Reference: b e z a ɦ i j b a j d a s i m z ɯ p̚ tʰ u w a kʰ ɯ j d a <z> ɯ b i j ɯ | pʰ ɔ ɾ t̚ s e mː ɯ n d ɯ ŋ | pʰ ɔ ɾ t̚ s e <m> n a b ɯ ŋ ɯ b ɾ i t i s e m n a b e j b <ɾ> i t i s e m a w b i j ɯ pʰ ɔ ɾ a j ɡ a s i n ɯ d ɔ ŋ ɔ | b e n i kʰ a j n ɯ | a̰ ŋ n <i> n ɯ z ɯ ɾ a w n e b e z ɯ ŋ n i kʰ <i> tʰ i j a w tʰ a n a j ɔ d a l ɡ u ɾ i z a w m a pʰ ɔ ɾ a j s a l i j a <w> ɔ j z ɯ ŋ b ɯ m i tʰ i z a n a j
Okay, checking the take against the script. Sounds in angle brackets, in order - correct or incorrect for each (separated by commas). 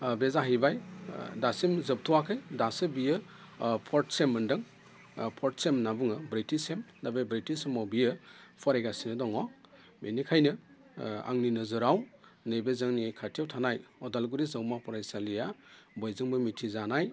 incorrect, correct, correct, correct, incorrect, incorrect